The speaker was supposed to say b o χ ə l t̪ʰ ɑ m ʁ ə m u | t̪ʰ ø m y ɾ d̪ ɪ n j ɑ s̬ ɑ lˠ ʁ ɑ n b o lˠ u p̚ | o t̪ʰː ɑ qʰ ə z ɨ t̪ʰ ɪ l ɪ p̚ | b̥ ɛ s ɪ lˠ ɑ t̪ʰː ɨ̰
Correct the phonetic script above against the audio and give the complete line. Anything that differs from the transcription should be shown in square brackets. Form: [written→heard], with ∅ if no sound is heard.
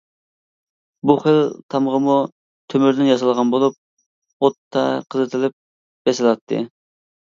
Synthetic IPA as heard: b [o→u] χ ə l t̪ʰ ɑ m ʁ ə m u | t̪ʰ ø m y ɾ d̪ ɪ n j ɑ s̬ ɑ lˠ ʁ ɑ n b o lˠ u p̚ | o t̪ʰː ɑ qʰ ə z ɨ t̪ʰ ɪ l ɪ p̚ | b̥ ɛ s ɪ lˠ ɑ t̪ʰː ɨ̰